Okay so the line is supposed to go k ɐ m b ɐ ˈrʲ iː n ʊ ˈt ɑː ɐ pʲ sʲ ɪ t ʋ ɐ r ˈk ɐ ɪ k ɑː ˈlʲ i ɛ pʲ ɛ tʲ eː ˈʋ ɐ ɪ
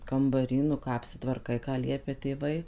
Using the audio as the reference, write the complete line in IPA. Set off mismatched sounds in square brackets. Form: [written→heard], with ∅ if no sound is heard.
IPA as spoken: k ɐ m b ɐ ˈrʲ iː n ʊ [ˈt→ˈk] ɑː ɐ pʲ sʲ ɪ t ʋ ɐ r ˈk ɐ ɪ k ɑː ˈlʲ i ɛ pʲ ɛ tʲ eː ˈʋ ɐ ɪ

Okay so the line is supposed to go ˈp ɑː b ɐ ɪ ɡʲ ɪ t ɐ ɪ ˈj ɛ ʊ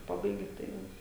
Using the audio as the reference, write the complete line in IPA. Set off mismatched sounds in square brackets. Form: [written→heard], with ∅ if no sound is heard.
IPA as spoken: ˈp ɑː b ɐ ɪ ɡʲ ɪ t ɐ ɪ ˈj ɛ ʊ

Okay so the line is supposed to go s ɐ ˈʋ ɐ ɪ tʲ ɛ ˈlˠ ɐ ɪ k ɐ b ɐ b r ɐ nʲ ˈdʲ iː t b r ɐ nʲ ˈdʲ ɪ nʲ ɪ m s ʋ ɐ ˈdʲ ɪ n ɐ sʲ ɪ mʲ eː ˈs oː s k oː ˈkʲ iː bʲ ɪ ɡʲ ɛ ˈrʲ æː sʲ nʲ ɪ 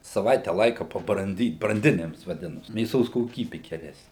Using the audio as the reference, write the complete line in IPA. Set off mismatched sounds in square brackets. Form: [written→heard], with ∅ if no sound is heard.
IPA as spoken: s ɐ ˈʋ ɐ ɪ tʲ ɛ ˈlˠ ɐ ɪ k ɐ [b→p] ɐ b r ɐ nʲ ˈdʲ iː t b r ɐ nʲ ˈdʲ ɪ nʲ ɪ m s ʋ ɐ ˈdʲ ɪ n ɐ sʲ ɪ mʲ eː ˈs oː s k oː ˈkʲ iː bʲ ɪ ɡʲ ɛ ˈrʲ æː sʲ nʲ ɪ

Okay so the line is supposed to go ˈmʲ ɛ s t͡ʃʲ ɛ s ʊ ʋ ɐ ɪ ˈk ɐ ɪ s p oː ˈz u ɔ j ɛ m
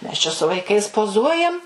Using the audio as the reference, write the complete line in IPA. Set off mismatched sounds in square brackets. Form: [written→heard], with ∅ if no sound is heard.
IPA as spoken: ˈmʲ ɛ s t͡ʃʲ ɛ s ʊ ʋ ɐ ɪ ˈk ɐ ɪ s p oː ˈz u ɔ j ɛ m

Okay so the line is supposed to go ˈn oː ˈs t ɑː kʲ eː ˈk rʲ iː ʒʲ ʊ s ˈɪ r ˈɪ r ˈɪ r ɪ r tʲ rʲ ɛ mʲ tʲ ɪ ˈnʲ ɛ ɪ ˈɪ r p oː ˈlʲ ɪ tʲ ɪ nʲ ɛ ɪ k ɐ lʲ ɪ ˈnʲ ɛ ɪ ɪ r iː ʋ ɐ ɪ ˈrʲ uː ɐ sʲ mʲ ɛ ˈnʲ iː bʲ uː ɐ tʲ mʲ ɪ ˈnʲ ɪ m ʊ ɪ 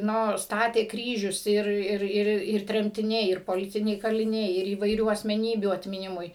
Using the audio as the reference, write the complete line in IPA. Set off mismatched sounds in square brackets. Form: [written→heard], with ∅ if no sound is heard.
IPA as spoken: ˈn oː ˈs t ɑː [kʲ→tʲ] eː ˈk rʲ iː ʒʲ ʊ s ˈɪ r ˈɪ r ˈɪ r ɪ r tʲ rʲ ɛ mʲ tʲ ɪ ˈnʲ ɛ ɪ ˈɪ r p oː ˈlʲ ɪ tʲ ɪ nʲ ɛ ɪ k ɐ lʲ ɪ ˈnʲ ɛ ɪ ɪ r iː ʋ ɐ ɪ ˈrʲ uː ɐ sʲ mʲ ɛ ˈnʲ iː bʲ uː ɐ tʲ mʲ ɪ ˈnʲ ɪ m ʊ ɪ

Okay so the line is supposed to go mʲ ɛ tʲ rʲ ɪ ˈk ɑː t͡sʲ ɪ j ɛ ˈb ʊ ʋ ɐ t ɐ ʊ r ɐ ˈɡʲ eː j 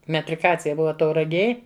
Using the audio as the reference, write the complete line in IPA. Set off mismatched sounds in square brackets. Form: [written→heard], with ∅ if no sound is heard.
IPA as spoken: mʲ ɛ tʲ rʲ ɪ ˈk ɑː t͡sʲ ɪ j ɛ ˈb ʊ ʋ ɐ t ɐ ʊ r ɐ ˈɡʲ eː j

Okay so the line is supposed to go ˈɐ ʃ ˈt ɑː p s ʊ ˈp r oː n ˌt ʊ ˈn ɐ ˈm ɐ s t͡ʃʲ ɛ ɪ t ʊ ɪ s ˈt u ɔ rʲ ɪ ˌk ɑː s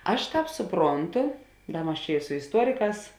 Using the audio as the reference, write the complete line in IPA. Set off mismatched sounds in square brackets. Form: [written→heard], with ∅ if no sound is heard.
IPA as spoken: ˈɐ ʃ ˈt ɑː p s ʊ ˈp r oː n ˌt ʊ [ˈn→ˈd] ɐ ˈm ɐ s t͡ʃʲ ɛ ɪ [t→s] ʊ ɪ s ˈt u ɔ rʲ ɪ ˌk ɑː s

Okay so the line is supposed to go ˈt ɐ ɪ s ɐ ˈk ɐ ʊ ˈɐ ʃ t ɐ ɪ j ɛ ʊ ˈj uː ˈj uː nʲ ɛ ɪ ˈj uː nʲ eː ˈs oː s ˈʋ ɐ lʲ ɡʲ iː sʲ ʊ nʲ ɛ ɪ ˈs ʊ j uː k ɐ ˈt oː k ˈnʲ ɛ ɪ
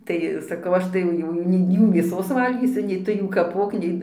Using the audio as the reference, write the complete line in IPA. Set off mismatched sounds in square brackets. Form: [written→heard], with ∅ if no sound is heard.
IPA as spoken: ˈt ɐ ɪ s ɐ ˈk ɐ ʊ ˈɐ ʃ t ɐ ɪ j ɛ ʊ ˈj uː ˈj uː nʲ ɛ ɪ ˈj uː [nʲ→mʲ] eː ˈs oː s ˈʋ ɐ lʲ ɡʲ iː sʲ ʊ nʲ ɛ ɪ [ˈs→ˈt] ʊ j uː k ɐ [ˈt→ˈp] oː k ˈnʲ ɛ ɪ

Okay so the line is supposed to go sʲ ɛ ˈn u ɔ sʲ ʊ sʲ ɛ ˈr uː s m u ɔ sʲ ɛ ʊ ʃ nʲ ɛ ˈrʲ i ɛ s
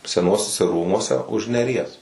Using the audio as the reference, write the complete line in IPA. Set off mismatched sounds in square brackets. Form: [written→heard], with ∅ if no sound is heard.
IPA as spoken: sʲ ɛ ˈn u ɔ sʲ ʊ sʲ ɛ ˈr uː [s→∅] m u ɔ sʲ ɛ ʊ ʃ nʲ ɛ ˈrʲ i ɛ s

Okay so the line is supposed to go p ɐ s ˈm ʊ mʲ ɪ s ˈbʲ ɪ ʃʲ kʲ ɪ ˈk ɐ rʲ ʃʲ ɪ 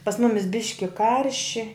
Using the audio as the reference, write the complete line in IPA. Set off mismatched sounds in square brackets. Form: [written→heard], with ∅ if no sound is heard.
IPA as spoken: p ɐ s ˈm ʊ mʲ ɪ s ˈbʲ ɪ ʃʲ kʲ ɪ ˈk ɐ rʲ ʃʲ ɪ

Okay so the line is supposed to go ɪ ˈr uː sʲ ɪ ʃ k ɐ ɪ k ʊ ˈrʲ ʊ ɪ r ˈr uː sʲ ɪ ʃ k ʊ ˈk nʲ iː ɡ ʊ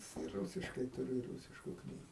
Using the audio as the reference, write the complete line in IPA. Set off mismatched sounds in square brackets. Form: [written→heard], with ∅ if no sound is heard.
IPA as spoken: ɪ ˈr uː sʲ ɪ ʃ k ɐ ɪ [k→t] ʊ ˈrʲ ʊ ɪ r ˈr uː sʲ ɪ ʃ k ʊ ˈk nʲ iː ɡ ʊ

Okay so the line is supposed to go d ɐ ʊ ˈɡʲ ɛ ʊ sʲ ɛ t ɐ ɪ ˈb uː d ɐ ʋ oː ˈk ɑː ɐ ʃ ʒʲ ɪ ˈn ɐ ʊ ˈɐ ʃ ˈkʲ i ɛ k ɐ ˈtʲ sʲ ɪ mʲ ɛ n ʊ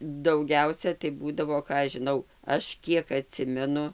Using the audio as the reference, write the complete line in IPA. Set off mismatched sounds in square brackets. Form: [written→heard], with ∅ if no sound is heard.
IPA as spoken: d ɐ ʊ ˈɡʲ ɛ ʊ sʲ ɛ t ɐ ɪ ˈb uː d ɐ ʋ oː ˈk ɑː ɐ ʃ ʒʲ ɪ ˈn ɐ ʊ ˈɐ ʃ ˈkʲ i ɛ k ɐ ˈtʲ sʲ ɪ mʲ ɛ n ʊ

